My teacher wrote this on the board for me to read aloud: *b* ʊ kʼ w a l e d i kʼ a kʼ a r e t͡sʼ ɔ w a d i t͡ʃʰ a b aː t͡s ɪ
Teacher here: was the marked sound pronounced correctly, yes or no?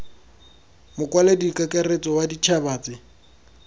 no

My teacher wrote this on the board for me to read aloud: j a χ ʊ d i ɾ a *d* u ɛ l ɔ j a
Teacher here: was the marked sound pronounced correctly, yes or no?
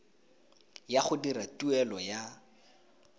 no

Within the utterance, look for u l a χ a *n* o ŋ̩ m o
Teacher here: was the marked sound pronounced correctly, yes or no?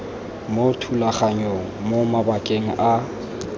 no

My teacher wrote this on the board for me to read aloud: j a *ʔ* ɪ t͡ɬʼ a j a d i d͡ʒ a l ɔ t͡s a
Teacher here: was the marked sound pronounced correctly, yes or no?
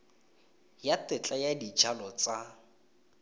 no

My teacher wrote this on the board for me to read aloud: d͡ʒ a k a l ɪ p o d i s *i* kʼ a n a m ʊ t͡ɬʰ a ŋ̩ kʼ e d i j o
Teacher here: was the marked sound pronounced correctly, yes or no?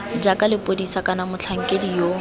no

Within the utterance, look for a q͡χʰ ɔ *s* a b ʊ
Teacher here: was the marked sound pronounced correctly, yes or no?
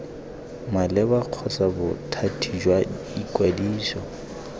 yes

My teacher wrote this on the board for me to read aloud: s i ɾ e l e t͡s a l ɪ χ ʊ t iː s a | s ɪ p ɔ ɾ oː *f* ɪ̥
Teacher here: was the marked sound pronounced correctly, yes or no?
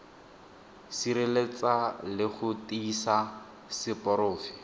yes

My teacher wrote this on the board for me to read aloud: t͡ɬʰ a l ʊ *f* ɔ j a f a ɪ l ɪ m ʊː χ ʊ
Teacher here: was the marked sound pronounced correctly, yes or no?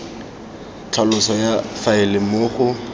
no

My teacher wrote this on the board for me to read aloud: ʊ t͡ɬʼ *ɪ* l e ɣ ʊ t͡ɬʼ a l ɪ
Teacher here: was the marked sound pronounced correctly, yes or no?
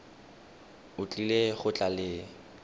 no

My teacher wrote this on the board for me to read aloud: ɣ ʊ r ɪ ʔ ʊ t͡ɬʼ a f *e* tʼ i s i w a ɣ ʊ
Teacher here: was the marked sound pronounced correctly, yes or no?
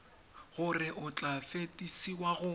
yes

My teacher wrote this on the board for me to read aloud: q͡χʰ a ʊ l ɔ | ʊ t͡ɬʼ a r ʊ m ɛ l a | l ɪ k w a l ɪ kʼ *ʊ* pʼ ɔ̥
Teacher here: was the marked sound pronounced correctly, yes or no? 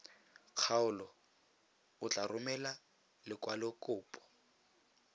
no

